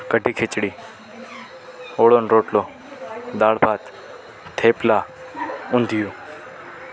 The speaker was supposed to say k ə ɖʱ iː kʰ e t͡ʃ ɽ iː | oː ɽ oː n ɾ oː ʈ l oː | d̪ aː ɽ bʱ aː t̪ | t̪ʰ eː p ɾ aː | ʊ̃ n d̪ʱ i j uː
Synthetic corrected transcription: k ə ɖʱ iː kʰ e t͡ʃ ɽ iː | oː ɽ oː n ɾ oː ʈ l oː | d̪ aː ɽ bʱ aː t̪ | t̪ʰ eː p l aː | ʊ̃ n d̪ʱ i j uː